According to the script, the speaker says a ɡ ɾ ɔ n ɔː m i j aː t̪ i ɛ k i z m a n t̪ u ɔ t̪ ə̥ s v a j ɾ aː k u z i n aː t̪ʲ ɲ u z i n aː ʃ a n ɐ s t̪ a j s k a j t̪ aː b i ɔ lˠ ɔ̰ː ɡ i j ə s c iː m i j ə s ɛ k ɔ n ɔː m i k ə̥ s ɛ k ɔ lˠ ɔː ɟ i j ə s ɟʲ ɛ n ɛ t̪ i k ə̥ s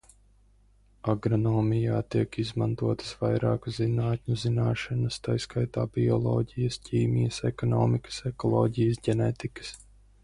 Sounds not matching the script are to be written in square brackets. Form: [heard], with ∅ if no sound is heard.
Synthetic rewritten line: a ɡ ɾ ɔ n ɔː m i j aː t̪ i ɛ k i z m a n t̪ u ɔ t̪ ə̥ s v a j ɾ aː k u z i n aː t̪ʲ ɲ u z i n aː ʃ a n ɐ s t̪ a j s k a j t̪ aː b i ɔ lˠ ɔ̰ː [ɟ] i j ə s c iː m i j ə s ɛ k ɔ n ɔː m i k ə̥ s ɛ k ɔ lˠ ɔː ɟ i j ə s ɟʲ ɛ n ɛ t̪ i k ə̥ s